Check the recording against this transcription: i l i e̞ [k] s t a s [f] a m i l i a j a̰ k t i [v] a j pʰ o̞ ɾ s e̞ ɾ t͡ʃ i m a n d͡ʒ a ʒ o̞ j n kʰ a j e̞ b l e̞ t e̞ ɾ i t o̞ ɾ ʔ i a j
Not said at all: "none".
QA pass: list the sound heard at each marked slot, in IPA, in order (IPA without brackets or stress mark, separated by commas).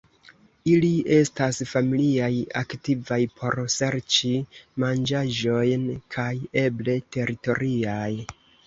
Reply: none, f, v